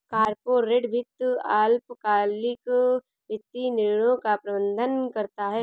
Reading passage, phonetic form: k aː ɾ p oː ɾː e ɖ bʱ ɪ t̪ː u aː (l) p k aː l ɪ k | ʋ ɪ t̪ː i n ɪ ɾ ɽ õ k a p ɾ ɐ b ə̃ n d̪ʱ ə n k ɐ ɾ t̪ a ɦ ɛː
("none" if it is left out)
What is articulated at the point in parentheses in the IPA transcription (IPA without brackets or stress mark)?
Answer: l